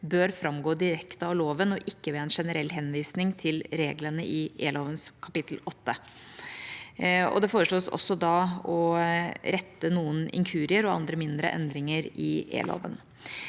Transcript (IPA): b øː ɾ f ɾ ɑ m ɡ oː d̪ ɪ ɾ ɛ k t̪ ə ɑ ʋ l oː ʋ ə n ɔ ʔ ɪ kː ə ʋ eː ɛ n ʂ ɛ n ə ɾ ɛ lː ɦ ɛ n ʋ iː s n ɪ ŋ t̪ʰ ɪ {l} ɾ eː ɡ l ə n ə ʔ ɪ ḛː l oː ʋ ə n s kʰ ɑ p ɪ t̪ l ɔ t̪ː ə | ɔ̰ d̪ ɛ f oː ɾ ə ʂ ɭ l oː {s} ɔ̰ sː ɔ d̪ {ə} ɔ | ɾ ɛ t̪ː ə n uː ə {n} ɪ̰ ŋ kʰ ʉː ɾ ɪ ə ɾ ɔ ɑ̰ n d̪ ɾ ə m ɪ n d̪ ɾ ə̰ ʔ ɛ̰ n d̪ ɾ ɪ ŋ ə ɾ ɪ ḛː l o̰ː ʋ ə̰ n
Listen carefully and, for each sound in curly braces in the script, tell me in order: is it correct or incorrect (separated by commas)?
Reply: correct, correct, incorrect, correct